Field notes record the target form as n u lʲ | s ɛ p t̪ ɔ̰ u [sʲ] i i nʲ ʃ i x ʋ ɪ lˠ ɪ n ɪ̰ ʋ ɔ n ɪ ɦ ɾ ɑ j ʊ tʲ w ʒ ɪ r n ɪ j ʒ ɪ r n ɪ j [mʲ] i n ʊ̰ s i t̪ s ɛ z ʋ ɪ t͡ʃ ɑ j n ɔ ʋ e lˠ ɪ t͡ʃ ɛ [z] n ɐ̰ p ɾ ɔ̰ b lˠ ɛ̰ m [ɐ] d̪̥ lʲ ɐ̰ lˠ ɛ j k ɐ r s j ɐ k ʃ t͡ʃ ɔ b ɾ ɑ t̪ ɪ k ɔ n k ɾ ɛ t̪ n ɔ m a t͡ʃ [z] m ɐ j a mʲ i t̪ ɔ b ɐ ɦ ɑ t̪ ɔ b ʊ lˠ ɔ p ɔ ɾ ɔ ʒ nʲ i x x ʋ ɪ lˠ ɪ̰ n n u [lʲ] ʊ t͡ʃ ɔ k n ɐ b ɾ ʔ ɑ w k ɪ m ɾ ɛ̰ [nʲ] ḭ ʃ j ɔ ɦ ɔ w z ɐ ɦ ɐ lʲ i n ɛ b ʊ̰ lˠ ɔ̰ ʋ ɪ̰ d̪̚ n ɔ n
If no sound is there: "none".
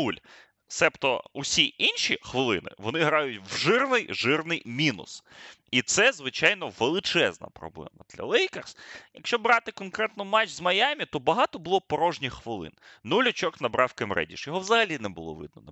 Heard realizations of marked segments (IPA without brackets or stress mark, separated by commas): sʲ, mʲ, z, ɐ, z, lʲ, dʲ